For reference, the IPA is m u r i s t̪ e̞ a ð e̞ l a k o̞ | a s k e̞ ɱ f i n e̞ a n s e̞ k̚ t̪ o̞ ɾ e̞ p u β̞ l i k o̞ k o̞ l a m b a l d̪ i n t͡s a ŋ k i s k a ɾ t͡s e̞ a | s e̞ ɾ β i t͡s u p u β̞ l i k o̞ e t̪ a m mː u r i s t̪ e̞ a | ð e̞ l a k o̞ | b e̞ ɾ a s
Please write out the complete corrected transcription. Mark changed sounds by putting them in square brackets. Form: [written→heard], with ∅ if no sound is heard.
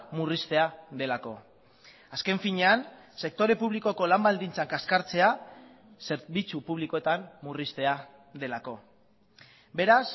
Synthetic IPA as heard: m u r i s t̪ e̞ a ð e̞ l a k o̞ | a s k e̞ ɱ f i [n→ɲ] e̞ a n s e̞ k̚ t̪ o̞ ɾ e̞ p u β̞ l i k o̞ k o̞ l a m b a l d̪ i n t͡s a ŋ k [i→a] s k a ɾ t͡s e̞ a | s e̞ ɾ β i t͡s u p u β̞ l i k o̞ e t̪ a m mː u r i s t̪ e̞ a | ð e̞ l a k o̞ | b e̞ ɾ a s